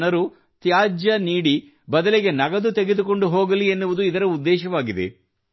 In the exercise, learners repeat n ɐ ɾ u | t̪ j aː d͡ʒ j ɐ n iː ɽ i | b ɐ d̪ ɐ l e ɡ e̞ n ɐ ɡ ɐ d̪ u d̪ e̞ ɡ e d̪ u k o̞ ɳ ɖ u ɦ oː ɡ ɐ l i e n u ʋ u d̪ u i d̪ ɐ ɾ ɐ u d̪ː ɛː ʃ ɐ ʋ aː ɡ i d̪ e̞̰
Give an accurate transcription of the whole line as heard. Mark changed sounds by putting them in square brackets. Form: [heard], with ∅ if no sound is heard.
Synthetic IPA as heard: n ɐ ɾ u | t̪ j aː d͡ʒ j ɐ n iː ɽ i | b ɐ d̪ ɐ l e ɡ e̞ n ɐ ɡ ɐ d̪ u [t̪] e̞ ɡ e d̪ u k o̞ ɳ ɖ u ɦ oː ɡ ɐ l i e [nː] u ʋ u d̪ u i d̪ ɐ ɾ ɐ u d̪ː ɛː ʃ ɐ ʋ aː ɡ i d̪ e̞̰

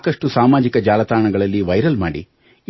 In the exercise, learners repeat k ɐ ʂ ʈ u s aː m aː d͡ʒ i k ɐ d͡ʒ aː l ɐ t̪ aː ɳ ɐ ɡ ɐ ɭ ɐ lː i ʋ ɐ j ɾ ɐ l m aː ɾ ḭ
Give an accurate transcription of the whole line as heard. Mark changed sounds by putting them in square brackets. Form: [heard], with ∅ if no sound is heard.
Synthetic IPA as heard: k ɐ ʂ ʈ u s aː m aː d͡ʒ i k ɐ d͡ʒ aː l ɐ t̪ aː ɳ ɐ ɡ ɐ ɭ ɐ lː i ʋ ɐ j ɾ ɐ l m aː [ɽ] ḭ

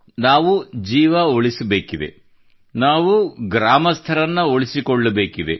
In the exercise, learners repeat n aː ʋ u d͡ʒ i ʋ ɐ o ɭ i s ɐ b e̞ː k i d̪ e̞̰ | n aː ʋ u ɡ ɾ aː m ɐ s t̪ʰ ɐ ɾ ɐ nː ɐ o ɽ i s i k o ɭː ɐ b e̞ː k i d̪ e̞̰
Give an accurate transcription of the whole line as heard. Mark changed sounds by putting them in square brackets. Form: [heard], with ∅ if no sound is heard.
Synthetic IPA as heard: n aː ʋ u d͡ʒ [iː] ʋ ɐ o ɭ i s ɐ b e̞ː k i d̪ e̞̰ | n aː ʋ u ɡ ɾ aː m ɐ s t̪ʰ ɐ ɾ ɐ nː ɐ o [ɭ] i s i k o ɭː ɐ b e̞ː k i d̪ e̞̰

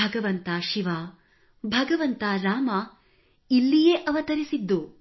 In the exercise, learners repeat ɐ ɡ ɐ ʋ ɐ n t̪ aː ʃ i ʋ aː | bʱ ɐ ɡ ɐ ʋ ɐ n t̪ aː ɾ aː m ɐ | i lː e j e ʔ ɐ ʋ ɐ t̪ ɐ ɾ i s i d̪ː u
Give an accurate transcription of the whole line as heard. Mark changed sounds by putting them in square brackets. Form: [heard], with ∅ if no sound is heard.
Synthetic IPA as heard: ɐ ɡ ɐ ʋ ɐ n t̪ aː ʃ i ʋ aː | bʱ ɐ ɡ ɐ ʋ ɐ n t̪ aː ɾ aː m ɐ | i lː [i] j e ʔ ɐ ʋ ɐ t̪ ɐ ɾ i s i d̪ː u

